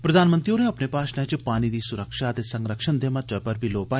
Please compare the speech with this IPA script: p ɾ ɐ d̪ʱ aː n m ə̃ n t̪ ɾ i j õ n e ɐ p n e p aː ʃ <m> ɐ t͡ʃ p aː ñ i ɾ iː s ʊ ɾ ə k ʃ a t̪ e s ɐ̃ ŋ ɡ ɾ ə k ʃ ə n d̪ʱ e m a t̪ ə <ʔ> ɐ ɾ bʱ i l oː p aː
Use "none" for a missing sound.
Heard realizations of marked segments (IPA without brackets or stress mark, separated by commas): n, p